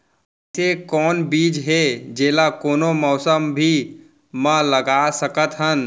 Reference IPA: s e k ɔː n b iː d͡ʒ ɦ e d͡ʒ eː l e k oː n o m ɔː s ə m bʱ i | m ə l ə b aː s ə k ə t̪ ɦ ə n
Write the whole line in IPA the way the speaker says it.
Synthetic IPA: s e k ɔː n b iː d͡ʒ ɦ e d͡ʒ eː l a k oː n o m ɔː s ə m bʱ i | m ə l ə ɡ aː s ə k ə t̪ ɦ ə n

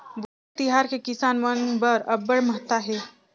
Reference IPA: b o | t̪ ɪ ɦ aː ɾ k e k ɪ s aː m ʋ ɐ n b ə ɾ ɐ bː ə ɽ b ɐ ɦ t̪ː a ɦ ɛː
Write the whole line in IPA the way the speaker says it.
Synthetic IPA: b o | t̪ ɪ ɦ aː ɾ k e k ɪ s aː n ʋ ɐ n b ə ɾ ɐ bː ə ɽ m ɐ ɦ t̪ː a ɦ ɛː

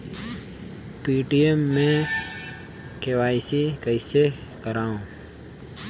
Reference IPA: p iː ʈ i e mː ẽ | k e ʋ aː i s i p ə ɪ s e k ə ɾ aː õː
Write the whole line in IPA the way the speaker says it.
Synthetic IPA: p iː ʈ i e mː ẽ | k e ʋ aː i s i k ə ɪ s e k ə ɾ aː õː

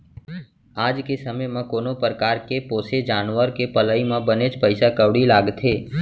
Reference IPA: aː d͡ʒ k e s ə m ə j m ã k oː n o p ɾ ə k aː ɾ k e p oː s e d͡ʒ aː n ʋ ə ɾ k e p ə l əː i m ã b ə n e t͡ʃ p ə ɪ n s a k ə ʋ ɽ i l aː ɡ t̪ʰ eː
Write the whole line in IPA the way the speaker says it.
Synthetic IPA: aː d͡ʒ k e s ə m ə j m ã k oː n o p ɾ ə k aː ɾ k e p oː s e d͡ʒ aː n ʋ ə ɾ k e p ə l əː i m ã b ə n e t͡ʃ p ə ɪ s a k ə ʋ ɽ i l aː ɡ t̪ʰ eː

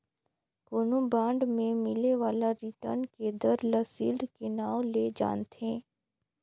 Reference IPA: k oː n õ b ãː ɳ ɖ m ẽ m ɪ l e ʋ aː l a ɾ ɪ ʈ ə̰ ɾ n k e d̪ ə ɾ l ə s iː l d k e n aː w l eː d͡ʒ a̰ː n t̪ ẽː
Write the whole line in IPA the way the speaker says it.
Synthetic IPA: k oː n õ b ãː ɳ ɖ m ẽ m ɪ l e ʋ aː l a ɾ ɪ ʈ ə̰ ɾ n k e d̪ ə ɾ l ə s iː l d k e n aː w l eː d͡ʒ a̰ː n t̪ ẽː

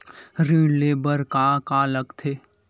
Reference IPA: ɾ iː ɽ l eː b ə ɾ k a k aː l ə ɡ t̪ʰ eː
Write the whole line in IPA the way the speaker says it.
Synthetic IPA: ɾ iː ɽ l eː b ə ɾ k a k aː l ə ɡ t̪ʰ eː

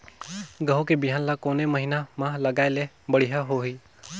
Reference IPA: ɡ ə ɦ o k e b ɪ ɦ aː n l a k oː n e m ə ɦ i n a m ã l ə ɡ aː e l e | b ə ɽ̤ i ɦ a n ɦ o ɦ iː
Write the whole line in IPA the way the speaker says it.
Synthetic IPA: ɡ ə ɦ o k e b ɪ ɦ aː n l a k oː n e m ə ɦ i n a m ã l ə ɡ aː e l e | b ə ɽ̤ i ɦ a ɦ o ɦ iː

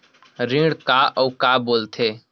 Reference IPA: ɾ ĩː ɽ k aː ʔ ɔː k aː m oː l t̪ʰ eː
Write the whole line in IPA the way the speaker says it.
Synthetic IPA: ɾ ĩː ɽ k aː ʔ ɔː k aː b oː l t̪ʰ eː

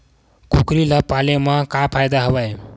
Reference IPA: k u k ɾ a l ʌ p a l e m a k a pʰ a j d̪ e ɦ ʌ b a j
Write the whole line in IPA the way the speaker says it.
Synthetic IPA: k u k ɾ i l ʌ p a l e m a k a pʰ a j d̪ a ɦ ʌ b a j

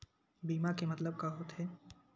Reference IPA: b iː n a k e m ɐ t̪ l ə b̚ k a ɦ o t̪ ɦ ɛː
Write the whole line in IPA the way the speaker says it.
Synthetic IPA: b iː m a k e m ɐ t̪ l ə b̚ k a ɦ o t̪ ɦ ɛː

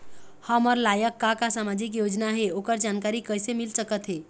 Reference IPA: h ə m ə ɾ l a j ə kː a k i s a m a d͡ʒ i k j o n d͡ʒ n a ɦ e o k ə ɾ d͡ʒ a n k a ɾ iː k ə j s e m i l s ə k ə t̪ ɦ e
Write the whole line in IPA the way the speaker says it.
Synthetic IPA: h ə m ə ɾ l a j ə kː a k a s a m a d͡ʒ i k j o d͡ʒ n a ɦ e o k ə ɾ d͡ʒ a n k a ɾ i k ə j s e m i l s ə k ə t̪ ɦ e

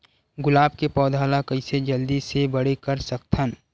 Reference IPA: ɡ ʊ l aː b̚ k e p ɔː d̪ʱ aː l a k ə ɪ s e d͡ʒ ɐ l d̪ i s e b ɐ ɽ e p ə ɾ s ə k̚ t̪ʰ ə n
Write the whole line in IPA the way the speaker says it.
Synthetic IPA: ɡ ʊ l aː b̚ k e p ɔː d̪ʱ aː l a k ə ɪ s e d͡ʒ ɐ l d̪ i s e b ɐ ɽ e k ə ɾ s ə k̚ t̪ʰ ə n

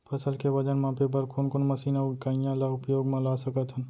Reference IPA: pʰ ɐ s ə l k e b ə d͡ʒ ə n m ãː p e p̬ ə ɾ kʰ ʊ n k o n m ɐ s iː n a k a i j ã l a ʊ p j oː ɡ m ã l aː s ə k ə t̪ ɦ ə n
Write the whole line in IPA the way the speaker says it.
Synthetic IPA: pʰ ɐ s ə l k e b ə d͡ʒ ə n m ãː p e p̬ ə ɾ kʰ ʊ n k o n m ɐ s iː n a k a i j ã l a ʊ p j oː ɡ m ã l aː s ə k ə t̪ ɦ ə n

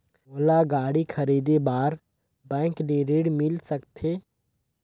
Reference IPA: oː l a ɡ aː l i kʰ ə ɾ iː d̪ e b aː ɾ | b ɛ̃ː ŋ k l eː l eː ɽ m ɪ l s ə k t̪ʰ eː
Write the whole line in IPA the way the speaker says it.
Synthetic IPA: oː l a ɡ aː ɽ i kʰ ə ɾ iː d̪ e b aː ɾ | b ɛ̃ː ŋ k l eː ɾ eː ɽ m ɪ l s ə k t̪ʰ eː

